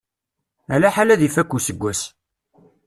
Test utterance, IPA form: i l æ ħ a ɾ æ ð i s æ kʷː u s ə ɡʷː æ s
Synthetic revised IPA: æ l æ ħ a l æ ð i f æ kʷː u s ə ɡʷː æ s